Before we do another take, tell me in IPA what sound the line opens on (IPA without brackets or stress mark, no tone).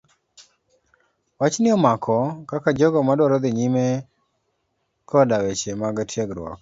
w